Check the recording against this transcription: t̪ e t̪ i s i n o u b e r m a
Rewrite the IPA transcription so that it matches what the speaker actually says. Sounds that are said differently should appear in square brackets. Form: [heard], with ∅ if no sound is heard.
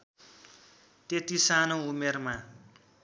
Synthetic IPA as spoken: t̪ e t̪ i s [a] n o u [m] e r m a